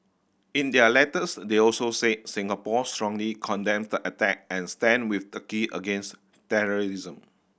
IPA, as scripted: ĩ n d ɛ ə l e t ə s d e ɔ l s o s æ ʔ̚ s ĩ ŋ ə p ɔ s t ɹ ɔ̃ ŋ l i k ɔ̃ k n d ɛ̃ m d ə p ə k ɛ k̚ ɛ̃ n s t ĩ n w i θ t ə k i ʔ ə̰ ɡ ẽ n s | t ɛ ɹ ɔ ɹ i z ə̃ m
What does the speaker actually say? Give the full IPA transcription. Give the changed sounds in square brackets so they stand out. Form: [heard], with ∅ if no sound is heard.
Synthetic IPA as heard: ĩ n d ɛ ə l [ɛ] t ə s d e ɔ l s o s [e] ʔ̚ s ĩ ŋ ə p ɔ s t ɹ ɔ̃ ŋ l i [kʰ] ɔ̃ [∅] n d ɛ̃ m d ə [ʔ] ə [t] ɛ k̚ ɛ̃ n s t [ɛ̃] n w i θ t ə k i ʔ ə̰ ɡ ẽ n s | t ɛ ɹ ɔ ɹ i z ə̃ m